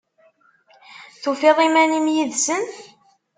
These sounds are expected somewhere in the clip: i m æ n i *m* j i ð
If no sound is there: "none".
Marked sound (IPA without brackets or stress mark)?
m